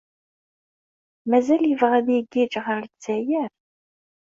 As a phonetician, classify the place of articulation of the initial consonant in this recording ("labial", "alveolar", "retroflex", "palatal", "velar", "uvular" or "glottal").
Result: labial